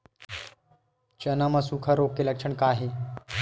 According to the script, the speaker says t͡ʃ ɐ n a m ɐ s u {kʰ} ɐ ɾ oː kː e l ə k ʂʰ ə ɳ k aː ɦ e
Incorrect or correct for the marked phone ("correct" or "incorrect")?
correct